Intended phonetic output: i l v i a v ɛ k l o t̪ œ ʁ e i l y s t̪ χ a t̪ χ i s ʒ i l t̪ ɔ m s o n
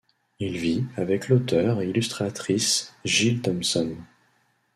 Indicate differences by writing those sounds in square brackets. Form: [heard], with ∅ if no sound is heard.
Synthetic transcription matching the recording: i l v i a v ɛ k l o t̪ œ ʁ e i l y s t̪ χ a t̪ χ i s ʒ i l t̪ ɔ m s [ɔ] n